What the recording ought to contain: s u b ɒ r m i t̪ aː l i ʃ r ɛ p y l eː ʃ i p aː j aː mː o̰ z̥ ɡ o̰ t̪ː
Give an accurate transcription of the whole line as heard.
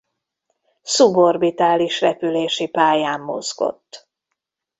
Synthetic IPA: s u b o r b i t̪ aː l i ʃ r ɛ p y l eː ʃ i p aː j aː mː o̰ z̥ ɡ o̰ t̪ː